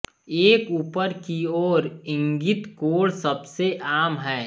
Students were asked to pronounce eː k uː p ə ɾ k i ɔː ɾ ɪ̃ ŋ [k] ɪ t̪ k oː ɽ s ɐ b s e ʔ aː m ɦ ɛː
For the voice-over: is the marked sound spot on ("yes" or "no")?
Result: no